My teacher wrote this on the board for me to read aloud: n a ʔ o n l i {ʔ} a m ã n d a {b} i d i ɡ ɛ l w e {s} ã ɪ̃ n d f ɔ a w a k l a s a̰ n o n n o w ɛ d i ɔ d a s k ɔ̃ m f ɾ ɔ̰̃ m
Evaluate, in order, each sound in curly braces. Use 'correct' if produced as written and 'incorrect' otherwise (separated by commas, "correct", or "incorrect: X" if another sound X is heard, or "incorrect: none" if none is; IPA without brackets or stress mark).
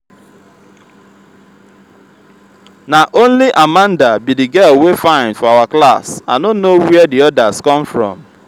correct, correct, incorrect: f